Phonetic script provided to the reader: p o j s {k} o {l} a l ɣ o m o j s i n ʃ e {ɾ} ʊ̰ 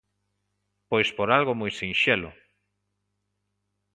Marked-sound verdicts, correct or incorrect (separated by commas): incorrect, incorrect, incorrect